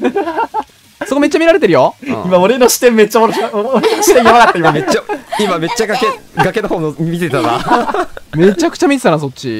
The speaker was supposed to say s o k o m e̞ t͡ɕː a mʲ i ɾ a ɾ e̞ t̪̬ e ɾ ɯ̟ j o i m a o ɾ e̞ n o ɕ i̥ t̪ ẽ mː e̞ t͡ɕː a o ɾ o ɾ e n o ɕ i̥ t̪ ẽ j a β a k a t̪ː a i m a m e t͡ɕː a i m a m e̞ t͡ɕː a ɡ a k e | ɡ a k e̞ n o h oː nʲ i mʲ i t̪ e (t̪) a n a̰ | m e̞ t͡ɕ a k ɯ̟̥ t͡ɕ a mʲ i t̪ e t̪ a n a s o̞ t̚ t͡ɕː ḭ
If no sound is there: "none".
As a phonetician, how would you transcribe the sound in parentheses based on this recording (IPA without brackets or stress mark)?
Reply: t̪